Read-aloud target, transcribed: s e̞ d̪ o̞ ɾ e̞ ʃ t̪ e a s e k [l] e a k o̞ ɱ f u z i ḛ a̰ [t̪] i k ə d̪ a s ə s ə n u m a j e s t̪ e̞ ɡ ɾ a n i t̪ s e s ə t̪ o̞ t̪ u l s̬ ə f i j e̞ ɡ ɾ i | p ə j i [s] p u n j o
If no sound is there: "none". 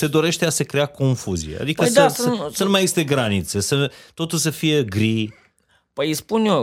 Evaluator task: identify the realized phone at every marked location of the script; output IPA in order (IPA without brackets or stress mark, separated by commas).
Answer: ɾ, d̪, s